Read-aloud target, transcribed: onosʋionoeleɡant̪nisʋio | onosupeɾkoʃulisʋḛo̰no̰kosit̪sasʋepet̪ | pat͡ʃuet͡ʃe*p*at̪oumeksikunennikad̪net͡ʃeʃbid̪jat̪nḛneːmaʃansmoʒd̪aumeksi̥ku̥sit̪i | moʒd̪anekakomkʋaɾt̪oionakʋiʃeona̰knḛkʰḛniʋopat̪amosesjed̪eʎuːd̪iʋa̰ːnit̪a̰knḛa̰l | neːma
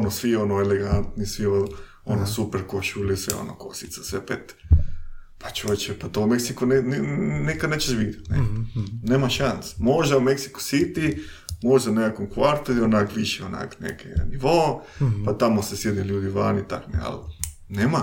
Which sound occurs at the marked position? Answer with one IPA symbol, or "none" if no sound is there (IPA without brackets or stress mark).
p